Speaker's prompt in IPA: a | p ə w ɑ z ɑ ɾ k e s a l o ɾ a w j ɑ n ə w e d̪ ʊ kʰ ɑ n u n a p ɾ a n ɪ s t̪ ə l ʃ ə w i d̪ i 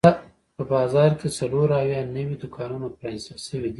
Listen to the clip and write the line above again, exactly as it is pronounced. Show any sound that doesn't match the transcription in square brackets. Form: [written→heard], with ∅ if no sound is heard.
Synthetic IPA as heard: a | p ə [w→b] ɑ z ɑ ɾ k e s a l o ɾ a w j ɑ n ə w [e→i] d̪ ʊ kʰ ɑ n u n a p ɾ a n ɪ s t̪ ə l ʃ ə w i d̪ i